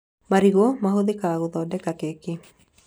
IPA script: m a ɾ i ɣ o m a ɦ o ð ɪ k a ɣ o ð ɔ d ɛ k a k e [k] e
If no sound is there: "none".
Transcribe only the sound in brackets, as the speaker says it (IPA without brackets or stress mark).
k